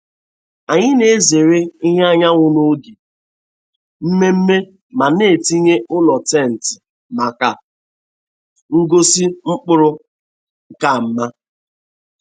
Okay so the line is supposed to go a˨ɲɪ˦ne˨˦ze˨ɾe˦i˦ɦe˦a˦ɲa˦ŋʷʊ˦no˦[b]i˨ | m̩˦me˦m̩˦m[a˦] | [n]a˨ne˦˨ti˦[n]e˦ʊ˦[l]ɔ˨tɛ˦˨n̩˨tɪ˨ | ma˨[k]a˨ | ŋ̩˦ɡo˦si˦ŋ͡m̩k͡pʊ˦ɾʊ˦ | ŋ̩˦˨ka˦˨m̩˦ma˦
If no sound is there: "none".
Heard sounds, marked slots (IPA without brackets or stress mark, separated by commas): ɡ, e˦, m, ɲ, l, k